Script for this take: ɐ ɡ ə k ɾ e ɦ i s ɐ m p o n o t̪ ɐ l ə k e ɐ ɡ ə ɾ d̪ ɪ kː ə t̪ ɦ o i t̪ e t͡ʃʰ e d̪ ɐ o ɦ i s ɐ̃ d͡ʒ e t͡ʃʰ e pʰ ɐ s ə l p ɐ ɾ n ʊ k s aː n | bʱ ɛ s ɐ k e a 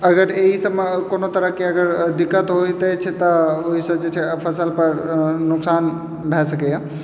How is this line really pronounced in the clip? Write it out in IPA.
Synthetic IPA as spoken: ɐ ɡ ə ɾ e ɦ i s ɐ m k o n o t̪ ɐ ɾ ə k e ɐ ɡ ə ɾ d̪ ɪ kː ə t̪ ɦ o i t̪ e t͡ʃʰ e t̪ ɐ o ɦ i s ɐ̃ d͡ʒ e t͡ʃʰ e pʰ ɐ s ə l p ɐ ɾ n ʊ k s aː n | bʱ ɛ s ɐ k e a